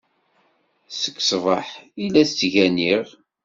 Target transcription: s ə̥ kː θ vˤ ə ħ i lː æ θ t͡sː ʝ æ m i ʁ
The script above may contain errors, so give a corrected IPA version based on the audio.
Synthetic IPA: s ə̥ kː s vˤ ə ħ i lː æ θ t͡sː ʝ æ n i ʁ